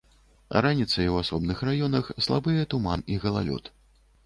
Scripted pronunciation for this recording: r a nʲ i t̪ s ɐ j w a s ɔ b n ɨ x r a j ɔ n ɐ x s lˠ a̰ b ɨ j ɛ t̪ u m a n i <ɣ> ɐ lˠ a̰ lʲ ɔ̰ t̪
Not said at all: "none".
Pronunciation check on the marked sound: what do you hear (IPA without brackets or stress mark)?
ɣ